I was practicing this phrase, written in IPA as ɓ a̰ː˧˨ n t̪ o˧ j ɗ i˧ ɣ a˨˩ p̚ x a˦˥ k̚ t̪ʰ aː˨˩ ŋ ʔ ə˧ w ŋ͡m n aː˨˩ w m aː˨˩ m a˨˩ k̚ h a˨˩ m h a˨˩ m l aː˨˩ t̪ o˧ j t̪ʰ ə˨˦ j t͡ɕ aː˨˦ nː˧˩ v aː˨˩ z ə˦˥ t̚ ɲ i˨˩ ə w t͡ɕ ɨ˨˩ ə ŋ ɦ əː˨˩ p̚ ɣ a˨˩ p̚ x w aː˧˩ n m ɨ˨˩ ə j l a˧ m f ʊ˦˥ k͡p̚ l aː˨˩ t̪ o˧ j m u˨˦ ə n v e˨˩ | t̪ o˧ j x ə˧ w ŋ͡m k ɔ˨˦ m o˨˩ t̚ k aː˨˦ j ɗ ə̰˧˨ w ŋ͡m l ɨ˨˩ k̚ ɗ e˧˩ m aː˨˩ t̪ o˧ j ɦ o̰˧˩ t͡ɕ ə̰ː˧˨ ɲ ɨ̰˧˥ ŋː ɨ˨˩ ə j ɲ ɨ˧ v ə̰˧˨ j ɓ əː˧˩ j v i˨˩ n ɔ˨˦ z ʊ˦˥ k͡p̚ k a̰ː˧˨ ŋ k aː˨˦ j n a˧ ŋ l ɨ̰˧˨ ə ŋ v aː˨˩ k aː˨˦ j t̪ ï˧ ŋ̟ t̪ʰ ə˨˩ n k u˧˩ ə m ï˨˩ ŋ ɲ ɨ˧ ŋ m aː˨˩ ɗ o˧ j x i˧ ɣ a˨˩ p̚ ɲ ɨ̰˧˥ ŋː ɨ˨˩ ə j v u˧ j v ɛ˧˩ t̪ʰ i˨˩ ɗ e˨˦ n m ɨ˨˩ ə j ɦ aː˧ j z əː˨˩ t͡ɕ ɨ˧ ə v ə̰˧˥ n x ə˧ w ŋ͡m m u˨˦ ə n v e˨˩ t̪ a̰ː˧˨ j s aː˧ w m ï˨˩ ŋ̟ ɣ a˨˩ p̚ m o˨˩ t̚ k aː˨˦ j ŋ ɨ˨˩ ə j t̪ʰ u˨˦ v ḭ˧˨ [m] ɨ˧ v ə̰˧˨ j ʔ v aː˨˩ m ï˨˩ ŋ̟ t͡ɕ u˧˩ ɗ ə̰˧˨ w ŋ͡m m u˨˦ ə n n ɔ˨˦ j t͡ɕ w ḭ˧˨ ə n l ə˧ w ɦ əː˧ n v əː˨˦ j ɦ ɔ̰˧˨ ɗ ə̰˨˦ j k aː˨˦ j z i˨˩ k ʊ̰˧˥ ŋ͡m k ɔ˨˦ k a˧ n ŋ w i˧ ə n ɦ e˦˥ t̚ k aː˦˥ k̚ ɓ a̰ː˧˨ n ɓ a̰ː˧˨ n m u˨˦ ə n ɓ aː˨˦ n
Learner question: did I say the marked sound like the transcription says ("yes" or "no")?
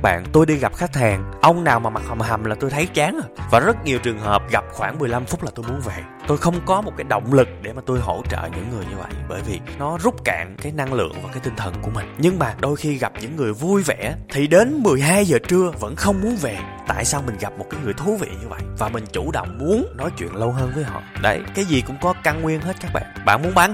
no